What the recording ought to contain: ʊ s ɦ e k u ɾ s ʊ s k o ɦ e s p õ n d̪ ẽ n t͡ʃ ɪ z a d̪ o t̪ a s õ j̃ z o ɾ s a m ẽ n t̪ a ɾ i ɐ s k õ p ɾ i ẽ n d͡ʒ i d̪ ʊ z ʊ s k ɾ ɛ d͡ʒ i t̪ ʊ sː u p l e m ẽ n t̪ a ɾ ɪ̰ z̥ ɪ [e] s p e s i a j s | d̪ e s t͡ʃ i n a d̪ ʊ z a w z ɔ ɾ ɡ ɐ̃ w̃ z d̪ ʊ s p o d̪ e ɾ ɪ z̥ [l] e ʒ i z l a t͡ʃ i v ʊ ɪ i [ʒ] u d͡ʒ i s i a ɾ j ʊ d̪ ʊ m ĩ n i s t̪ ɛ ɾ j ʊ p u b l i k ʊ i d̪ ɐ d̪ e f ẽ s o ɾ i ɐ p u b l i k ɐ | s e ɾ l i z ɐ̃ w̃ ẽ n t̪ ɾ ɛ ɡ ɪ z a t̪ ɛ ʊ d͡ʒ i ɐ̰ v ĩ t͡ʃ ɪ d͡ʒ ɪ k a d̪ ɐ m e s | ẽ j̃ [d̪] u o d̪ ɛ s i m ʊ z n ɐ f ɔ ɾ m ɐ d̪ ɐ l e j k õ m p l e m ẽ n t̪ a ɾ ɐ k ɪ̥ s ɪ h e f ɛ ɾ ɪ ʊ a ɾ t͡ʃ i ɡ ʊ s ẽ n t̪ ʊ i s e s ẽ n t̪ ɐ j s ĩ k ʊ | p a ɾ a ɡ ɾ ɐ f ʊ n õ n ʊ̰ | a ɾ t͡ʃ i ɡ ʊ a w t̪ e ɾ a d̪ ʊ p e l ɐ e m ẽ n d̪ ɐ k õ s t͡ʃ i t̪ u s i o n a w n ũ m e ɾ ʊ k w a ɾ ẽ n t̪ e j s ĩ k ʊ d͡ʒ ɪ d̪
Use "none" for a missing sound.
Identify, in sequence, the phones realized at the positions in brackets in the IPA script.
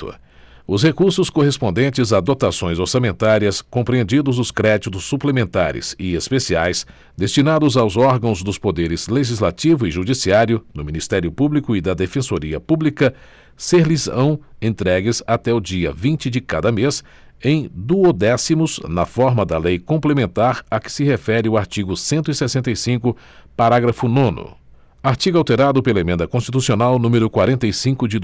e, l, ʒ, d̪

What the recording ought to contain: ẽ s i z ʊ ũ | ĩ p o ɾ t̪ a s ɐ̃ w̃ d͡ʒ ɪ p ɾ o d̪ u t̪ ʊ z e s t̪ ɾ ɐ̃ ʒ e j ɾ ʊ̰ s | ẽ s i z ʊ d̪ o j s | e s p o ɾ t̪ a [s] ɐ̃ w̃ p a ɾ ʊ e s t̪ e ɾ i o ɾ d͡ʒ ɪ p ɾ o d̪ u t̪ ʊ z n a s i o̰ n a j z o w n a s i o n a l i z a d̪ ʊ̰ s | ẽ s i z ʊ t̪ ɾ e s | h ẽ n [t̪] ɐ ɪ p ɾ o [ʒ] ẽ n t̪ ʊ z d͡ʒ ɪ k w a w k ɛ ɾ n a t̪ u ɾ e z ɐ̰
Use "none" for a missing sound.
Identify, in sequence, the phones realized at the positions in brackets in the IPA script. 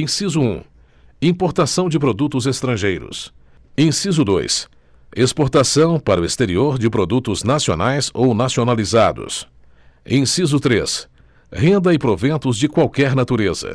s, d̪, v

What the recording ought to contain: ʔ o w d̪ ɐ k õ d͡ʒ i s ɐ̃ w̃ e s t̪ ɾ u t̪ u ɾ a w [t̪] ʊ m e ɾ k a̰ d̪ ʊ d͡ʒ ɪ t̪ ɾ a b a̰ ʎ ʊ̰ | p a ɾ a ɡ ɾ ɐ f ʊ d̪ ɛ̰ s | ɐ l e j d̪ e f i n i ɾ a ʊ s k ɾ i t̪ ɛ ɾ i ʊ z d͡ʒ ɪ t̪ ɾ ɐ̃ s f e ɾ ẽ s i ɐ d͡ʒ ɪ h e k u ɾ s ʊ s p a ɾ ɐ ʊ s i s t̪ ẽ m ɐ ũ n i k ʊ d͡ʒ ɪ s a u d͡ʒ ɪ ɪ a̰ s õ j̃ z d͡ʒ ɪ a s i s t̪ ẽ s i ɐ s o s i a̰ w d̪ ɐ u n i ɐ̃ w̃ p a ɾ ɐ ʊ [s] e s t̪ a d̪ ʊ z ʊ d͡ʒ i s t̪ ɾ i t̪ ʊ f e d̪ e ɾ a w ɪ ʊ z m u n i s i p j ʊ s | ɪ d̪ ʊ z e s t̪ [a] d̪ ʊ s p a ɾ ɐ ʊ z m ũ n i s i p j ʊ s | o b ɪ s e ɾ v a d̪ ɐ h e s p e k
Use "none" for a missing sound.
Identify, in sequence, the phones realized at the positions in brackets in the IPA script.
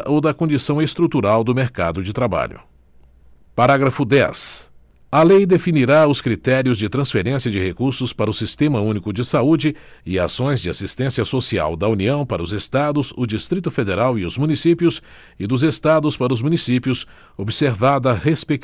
d̪, z, a

